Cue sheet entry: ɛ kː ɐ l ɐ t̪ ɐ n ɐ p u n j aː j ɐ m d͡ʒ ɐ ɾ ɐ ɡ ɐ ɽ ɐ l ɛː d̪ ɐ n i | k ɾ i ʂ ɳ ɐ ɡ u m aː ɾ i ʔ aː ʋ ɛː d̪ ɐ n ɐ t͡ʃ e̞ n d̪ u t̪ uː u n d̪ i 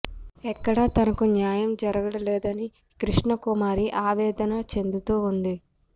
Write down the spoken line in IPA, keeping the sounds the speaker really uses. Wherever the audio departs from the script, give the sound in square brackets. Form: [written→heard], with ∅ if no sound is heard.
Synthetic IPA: ɛ kː ɐ [l→ɽ] ɐ t̪ ɐ n ɐ [p→k] u n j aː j ɐ m d͡ʒ ɐ ɾ ɐ ɡ ɐ ɽ ɐ l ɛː d̪ ɐ n i | k ɾ i ʂ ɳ ɐ [ɡ→k] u m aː ɾ i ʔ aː ʋ ɛː d̪ ɐ n ɐ t͡ʃ e̞ n d̪ u t̪ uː u n d̪ i